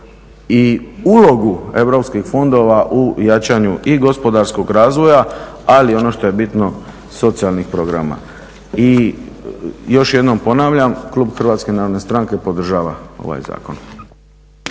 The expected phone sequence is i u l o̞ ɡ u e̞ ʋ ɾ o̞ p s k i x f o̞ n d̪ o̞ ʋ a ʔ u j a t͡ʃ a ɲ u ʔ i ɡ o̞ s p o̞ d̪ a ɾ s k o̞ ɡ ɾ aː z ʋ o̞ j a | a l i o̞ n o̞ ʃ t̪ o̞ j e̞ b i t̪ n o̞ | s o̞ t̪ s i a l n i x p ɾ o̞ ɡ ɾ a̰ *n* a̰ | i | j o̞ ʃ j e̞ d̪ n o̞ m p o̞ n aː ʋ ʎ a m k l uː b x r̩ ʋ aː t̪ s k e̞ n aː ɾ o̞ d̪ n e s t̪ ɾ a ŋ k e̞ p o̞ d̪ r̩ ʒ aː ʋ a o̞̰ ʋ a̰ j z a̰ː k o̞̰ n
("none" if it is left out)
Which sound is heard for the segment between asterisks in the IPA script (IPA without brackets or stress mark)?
m